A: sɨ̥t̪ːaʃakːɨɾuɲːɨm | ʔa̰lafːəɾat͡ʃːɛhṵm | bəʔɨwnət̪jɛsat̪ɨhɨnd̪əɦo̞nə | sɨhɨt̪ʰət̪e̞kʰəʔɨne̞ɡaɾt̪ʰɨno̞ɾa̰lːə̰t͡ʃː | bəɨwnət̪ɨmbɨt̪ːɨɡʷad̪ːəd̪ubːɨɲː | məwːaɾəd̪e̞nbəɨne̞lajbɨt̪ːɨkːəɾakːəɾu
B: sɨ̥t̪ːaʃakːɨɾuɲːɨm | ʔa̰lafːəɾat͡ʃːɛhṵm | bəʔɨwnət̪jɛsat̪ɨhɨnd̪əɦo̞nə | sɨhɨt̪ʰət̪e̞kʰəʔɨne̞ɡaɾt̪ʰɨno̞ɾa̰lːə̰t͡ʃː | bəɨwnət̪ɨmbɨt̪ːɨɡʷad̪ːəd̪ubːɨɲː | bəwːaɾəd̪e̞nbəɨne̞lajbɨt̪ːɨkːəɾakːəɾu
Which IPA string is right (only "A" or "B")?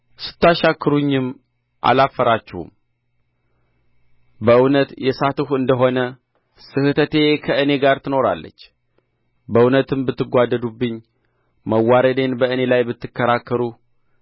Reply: A